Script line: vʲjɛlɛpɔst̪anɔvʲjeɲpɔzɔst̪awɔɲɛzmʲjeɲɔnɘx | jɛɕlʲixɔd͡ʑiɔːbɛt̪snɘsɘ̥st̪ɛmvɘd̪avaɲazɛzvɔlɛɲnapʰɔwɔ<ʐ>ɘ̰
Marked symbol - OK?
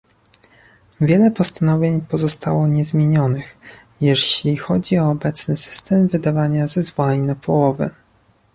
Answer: no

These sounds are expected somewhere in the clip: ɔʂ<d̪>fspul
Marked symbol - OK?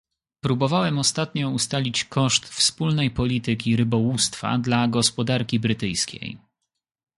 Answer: no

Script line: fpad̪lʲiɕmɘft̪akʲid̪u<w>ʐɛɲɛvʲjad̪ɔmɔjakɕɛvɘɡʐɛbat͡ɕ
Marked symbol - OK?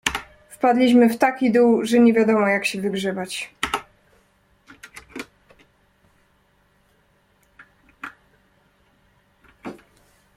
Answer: yes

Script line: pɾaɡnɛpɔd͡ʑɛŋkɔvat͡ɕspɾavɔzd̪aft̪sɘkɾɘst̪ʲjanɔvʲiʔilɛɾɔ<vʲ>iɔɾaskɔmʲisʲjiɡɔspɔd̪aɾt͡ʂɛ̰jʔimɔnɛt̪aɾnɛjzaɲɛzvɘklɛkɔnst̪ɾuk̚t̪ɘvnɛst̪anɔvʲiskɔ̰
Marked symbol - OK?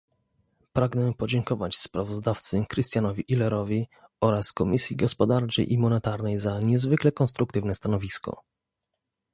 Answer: yes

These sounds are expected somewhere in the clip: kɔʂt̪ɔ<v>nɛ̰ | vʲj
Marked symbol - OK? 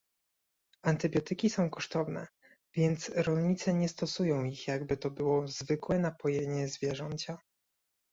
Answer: yes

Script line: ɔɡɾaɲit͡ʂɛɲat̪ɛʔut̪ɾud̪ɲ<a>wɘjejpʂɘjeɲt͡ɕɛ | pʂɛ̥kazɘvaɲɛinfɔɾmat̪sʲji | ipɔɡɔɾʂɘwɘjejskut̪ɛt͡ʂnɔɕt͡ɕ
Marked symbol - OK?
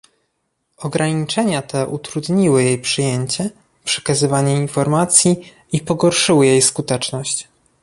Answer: no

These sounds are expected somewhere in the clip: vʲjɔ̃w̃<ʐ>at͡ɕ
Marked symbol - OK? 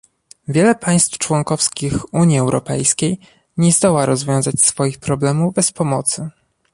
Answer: no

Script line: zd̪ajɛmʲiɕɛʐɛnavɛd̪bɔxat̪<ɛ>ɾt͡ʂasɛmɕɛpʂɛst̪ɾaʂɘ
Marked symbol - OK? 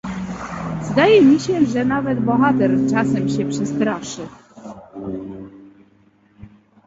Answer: yes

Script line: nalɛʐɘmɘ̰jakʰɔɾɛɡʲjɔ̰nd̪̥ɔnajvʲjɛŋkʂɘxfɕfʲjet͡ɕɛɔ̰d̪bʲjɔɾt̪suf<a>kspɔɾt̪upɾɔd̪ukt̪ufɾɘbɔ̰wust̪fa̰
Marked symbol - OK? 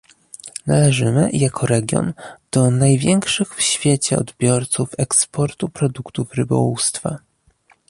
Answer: no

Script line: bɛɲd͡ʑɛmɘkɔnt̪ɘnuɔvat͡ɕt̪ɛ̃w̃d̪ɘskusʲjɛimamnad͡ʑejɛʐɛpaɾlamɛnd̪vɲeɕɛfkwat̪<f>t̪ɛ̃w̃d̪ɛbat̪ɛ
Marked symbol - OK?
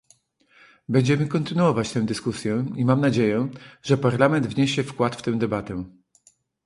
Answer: yes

